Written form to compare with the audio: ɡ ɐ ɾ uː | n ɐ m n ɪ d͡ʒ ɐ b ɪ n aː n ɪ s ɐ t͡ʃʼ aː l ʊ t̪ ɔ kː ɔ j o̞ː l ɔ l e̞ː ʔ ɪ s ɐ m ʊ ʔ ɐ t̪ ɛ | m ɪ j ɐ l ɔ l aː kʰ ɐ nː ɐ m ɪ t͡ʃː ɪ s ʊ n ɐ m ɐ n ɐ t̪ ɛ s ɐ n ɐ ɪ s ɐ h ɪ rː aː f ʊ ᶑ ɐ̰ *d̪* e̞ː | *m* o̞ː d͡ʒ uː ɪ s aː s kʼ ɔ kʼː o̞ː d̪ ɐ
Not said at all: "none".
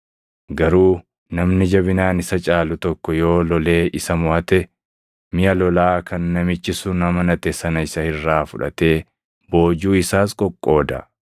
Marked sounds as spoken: t̪, b

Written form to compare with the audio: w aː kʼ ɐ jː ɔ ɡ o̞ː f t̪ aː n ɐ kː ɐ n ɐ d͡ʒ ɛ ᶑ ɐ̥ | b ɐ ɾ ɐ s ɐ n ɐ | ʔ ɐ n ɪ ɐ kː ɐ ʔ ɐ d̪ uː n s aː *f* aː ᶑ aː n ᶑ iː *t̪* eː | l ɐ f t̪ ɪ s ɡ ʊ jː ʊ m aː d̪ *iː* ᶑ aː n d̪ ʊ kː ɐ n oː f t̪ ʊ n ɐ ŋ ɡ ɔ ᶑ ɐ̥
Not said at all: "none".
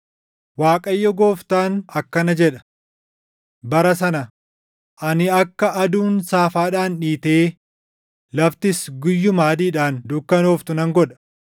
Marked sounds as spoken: f, t̪, iː

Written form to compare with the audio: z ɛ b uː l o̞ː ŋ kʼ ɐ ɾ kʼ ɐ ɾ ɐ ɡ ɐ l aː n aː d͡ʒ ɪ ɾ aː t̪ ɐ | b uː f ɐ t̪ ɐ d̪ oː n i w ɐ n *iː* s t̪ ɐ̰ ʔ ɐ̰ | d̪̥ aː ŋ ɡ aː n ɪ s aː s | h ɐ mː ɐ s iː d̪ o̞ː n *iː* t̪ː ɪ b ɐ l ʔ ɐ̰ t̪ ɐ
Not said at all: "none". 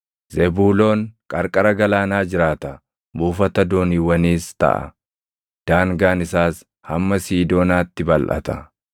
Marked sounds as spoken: iː, aː

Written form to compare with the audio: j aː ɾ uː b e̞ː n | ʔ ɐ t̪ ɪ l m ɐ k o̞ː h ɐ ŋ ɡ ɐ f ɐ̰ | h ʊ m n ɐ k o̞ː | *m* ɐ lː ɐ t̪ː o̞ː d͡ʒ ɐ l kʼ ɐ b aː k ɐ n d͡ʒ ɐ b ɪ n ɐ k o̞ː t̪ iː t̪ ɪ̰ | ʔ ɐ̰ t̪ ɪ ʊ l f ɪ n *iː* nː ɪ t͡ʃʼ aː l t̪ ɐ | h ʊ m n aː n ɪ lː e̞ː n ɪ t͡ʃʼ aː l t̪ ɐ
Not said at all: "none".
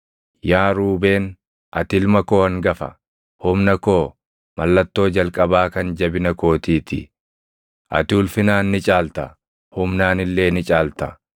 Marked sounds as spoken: m, aː

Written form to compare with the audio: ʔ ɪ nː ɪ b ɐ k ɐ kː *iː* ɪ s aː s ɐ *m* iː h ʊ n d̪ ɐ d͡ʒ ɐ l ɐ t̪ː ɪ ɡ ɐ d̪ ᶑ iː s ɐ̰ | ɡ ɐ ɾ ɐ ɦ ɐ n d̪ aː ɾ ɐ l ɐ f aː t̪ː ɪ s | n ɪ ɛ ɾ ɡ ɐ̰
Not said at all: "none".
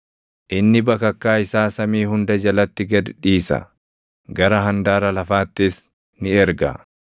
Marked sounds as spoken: aː, m

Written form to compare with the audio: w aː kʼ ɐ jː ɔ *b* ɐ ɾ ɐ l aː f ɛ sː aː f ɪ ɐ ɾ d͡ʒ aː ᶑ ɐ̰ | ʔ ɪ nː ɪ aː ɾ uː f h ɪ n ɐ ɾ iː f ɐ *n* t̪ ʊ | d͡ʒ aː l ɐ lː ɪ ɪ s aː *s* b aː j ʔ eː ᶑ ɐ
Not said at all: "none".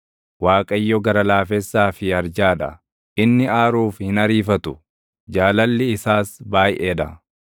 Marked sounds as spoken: ɡ, none, s

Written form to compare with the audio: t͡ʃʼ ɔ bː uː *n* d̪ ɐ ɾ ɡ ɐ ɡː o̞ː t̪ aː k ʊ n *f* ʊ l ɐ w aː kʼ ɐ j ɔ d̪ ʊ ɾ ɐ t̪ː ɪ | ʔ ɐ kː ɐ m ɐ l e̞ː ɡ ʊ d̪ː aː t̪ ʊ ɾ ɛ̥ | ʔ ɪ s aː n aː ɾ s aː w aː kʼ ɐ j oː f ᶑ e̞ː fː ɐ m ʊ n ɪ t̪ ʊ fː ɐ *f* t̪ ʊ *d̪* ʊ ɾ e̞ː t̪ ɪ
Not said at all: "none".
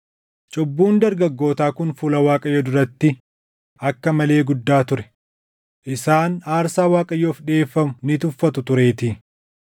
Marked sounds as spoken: n, f, none, t̪

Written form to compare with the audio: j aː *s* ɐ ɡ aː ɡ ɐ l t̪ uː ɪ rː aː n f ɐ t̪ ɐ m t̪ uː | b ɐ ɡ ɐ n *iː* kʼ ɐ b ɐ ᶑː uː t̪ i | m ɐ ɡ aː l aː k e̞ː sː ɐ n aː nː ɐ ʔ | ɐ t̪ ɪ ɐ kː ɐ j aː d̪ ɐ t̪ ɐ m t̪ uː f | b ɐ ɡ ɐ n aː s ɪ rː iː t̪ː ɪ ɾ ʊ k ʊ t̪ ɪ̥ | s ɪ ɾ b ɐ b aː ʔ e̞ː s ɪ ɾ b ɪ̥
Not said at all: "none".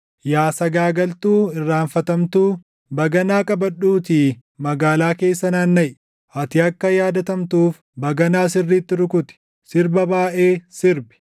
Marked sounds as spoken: s, aː

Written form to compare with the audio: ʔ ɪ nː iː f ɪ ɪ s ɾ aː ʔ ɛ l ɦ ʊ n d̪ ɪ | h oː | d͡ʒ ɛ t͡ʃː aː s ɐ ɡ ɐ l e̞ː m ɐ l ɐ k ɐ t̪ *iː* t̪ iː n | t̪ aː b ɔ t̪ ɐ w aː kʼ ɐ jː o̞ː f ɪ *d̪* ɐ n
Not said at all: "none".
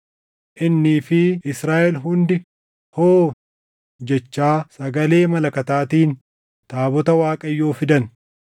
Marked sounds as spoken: aː, d̪

